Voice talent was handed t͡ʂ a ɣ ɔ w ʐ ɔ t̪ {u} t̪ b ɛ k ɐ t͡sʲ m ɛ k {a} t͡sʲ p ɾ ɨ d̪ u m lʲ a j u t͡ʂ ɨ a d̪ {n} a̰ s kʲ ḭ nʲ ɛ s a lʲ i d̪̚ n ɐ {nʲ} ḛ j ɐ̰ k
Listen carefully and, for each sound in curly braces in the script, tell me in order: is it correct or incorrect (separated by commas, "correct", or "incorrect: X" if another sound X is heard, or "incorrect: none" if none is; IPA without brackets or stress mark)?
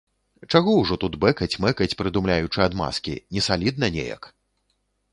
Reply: correct, incorrect: ɐ, incorrect: m, correct